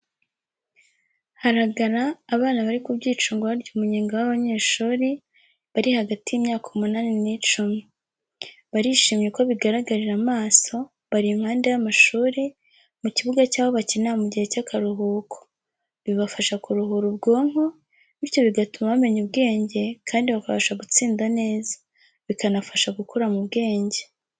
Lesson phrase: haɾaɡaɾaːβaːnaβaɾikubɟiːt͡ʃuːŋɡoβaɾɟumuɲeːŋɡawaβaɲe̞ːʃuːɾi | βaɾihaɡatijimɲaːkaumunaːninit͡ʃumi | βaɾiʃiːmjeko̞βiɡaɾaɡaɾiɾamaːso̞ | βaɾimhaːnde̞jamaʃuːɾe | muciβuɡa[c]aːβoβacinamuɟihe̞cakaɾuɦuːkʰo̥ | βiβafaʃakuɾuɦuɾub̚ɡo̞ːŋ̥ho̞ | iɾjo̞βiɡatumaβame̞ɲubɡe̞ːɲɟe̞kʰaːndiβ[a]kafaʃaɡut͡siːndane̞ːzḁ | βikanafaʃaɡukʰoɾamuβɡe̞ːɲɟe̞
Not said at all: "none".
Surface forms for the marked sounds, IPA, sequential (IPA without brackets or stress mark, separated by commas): c, a